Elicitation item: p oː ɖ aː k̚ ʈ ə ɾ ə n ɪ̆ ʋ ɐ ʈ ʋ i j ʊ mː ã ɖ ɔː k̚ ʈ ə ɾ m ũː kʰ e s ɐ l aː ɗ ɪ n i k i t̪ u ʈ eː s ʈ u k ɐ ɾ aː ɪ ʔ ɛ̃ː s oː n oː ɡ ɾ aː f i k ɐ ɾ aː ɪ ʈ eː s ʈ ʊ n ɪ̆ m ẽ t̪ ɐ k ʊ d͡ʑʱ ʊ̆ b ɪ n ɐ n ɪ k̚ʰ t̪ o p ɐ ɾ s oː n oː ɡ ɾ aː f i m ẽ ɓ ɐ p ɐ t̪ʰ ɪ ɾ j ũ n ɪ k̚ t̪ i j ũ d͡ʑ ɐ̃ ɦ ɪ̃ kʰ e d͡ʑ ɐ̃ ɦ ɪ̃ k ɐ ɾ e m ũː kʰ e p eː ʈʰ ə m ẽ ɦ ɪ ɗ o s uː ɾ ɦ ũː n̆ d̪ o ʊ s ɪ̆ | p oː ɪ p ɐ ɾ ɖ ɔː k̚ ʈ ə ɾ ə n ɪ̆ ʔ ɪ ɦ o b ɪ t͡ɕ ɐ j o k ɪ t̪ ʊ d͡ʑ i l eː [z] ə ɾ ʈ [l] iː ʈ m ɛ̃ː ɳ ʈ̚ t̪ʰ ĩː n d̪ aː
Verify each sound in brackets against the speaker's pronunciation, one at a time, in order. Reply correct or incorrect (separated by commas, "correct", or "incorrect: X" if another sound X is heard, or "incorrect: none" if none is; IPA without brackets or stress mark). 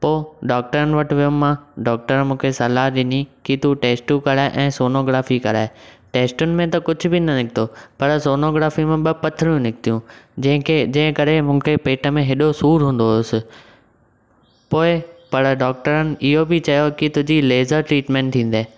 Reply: correct, incorrect: ɾ